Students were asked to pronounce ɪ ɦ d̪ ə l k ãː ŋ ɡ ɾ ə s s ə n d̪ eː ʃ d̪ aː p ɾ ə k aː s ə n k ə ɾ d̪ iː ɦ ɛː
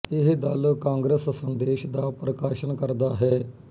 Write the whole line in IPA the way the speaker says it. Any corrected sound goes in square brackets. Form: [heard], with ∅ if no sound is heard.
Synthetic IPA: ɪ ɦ d̪ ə l k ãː ŋ ɡ ɾ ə s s ə n d̪ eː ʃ d̪ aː p ɾ ə k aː [ʃ] ə n k ə ɾ d̪ [aː] ɦ ɛː